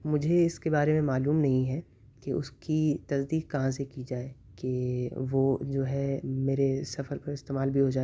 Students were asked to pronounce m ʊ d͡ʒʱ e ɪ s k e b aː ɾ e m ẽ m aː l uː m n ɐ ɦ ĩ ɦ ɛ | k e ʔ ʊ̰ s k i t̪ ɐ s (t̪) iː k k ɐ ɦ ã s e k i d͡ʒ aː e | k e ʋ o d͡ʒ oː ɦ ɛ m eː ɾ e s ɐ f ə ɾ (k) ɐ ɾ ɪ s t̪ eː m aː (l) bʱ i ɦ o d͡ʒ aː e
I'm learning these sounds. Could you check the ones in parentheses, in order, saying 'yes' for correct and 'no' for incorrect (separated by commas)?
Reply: no, no, yes